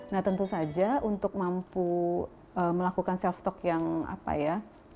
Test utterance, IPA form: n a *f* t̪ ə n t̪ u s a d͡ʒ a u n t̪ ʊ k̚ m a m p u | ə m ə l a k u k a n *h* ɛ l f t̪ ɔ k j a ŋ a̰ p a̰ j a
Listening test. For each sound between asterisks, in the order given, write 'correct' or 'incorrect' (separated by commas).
incorrect, incorrect